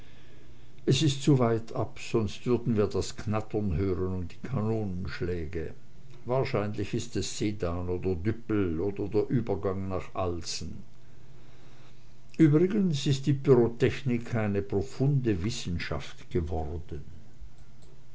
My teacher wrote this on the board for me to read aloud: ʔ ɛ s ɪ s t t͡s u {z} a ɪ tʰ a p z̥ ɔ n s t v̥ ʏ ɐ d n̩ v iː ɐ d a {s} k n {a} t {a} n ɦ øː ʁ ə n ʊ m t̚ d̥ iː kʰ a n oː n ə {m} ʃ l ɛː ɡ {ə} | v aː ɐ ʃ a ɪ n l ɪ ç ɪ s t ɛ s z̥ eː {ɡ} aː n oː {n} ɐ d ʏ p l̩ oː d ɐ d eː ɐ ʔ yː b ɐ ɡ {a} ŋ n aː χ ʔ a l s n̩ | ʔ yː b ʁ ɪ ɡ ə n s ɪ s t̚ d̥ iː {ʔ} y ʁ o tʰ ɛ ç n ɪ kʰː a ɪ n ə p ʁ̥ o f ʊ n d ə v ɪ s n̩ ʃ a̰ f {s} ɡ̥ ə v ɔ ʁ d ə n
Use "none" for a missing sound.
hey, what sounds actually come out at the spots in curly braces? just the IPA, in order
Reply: v, s, a, ɐ, n, ə, d, d, a, p, t

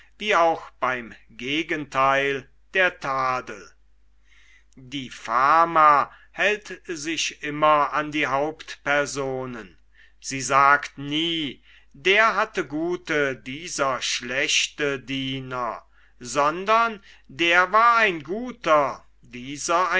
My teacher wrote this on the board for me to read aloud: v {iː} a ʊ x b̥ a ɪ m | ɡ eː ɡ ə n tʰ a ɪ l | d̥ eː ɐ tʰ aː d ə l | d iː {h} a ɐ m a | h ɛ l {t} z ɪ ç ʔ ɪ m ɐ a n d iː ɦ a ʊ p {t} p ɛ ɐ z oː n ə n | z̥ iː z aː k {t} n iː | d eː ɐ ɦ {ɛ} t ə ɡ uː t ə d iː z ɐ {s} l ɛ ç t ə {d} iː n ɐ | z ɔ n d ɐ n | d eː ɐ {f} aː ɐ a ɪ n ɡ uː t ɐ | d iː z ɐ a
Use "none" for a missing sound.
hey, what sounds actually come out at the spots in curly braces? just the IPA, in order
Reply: iː, f, t, t, t, a, ʃ, d, v

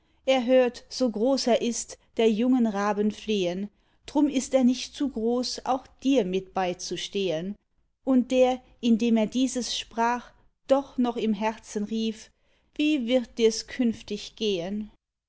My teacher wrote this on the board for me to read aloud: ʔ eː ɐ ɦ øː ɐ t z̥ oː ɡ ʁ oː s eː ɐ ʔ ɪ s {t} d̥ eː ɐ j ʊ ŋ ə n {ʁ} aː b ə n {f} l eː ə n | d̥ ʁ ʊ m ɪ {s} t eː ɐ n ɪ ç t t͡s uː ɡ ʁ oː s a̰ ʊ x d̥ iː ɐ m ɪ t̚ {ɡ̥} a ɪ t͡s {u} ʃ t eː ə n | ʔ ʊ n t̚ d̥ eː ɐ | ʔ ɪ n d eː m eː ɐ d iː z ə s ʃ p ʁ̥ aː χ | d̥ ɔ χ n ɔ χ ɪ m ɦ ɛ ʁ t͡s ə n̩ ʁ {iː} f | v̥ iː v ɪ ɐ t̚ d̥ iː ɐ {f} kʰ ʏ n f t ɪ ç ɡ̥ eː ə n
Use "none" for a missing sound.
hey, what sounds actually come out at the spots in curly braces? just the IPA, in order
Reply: t, ʁ, f, s, b̥, u, iː, s

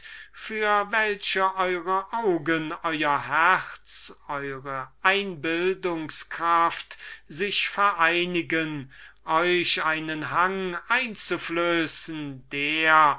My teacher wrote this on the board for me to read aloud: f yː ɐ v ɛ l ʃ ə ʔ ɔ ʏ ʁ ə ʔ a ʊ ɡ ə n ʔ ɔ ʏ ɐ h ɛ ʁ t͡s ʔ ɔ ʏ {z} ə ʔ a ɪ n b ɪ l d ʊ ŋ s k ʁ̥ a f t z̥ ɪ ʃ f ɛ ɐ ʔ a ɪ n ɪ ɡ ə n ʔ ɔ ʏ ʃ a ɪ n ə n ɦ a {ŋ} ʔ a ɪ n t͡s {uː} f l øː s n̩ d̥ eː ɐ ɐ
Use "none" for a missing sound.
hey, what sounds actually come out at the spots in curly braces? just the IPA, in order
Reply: ʁ, ŋ, u

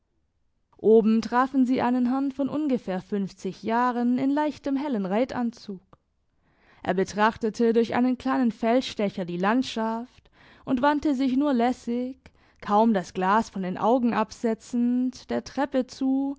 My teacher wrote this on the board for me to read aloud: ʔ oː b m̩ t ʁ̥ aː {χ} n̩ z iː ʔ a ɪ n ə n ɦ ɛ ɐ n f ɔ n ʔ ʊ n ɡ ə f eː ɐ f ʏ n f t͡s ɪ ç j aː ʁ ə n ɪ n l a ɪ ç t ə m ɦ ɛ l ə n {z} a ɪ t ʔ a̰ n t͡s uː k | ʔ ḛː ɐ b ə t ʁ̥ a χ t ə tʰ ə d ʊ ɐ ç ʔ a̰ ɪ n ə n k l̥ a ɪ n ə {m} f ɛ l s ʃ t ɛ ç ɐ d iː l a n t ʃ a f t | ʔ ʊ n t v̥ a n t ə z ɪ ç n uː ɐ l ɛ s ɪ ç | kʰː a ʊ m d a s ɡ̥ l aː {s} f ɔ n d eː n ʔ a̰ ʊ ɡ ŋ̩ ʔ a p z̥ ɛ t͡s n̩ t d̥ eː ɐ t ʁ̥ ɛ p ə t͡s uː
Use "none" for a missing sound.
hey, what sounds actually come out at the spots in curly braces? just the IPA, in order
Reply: f, ʁ, n, s

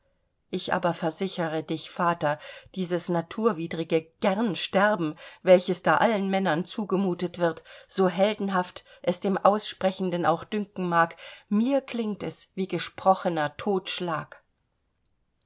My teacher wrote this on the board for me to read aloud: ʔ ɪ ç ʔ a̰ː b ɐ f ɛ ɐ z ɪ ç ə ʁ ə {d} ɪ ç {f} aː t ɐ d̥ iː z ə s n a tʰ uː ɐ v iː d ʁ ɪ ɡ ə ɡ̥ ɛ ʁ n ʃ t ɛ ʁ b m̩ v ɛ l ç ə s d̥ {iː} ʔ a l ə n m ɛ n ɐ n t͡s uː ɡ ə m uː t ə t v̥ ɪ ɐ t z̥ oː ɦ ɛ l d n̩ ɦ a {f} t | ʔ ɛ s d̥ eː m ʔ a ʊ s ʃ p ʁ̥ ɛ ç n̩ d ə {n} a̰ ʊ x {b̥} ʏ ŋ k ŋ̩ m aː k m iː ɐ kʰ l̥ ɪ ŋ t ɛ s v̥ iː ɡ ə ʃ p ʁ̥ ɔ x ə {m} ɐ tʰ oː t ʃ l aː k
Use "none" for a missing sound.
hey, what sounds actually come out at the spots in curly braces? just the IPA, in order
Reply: d, f, aː, f, n, d̥, n

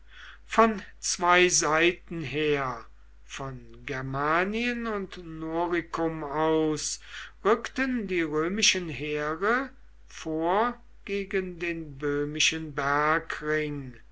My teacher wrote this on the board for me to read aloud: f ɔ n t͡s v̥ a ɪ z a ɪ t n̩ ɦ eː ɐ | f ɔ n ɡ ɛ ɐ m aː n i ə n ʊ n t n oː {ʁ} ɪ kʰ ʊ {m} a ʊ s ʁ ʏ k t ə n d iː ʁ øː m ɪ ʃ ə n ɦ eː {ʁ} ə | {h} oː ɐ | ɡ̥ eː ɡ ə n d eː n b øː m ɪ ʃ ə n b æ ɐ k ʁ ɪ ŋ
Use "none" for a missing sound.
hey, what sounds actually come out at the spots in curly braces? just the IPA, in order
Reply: ʁ, m, ʁ, f

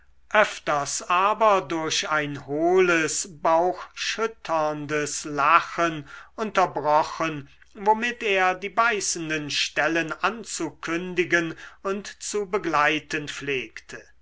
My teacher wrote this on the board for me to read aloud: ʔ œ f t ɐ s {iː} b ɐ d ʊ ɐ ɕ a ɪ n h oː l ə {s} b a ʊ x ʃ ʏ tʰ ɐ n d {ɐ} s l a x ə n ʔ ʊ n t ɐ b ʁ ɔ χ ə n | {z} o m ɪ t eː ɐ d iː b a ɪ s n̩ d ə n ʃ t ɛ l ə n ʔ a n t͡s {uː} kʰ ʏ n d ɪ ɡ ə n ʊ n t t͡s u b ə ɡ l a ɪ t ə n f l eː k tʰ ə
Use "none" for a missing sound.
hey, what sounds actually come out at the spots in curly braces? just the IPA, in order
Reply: aː, s, ə, v, u

